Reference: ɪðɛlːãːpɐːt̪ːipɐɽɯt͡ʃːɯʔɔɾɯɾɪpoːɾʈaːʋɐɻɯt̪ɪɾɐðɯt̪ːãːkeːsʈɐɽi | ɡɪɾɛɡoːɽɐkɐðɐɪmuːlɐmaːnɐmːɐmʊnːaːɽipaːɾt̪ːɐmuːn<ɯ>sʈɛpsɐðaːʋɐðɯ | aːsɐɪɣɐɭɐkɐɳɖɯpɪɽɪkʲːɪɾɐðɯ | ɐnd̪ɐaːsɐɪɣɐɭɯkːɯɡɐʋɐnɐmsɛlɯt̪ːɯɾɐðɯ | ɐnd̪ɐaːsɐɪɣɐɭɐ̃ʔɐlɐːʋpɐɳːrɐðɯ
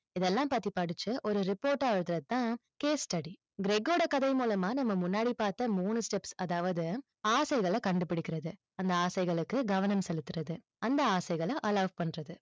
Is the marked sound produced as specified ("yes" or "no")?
yes